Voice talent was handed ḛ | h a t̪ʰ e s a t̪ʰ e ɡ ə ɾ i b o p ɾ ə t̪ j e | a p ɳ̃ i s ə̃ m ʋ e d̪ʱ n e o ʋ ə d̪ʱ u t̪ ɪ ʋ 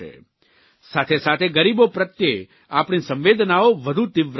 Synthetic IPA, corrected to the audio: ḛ | s a t̪ʰ e s a t̪ʰ e ɡ ə ɾ i b o p ɾ ə t̪ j e | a p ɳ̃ i s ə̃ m ʋ e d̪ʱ n a o ʋ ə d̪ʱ u t̪ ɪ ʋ

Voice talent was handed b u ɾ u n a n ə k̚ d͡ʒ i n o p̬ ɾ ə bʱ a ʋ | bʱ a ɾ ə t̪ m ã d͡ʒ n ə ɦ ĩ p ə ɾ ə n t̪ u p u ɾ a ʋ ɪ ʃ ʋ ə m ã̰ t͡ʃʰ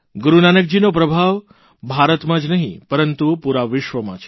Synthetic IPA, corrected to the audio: ɡ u ɾ u n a n ə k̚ d͡ʒ i n o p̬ ɾ ə bʱ a ʋ | bʱ a ɾ ə t̪ m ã d͡ʒ n ə ɦ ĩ p ə ɾ ə n t̪ u p u ɾ a ʋ ɪ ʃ ʋ ə m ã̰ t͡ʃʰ

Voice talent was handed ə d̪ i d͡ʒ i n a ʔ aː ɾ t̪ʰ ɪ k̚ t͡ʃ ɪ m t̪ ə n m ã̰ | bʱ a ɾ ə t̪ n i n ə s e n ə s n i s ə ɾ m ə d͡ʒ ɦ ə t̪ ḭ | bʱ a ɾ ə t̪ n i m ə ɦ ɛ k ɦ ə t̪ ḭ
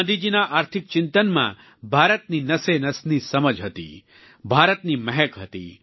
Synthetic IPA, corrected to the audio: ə d̪ i d͡ʒ i n a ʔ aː ɾ t̪ʰ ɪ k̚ t͡ʃ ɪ n t̪ ə n m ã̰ | bʱ a ɾ ə t̪ n i n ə s e n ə s n i s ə m ə d͡ʒ ɦ ə t̪ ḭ | bʱ a ɾ ə t̪ n i m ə ɦ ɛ k ɦ ə t̪ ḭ

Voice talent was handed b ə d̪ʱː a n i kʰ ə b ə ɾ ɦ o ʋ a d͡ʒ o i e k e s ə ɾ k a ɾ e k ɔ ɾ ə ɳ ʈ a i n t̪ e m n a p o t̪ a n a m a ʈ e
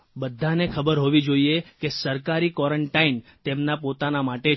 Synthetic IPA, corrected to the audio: b ə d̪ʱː a n e kʰ ə b ə ɾ ɦ o ʋ i d͡ʒ o i e k e s ə ɾ k a ɾ i k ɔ ɾ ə ɳ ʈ a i n t̪ e m n a p o t̪ a n a m a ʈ e

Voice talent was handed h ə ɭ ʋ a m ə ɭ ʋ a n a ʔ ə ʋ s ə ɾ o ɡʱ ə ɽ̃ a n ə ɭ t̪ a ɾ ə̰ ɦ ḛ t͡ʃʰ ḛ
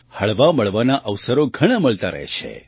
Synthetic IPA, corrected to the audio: h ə ɭ ʋ a m ə ɭ ʋ a n a ʔ ə ʋ s ə ɾ o ɡʱ ə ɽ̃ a m ə ɭ t̪ a ɾ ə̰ ɦ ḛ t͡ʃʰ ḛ

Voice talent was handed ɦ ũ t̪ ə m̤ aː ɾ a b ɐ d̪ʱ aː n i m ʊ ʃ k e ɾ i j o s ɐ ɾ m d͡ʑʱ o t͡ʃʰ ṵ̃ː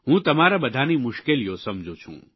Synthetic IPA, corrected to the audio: ɦ ũ t̪ ɐ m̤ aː ɾ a b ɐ d̪ʱ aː n i m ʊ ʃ k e l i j o s ɐ m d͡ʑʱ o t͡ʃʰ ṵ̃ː

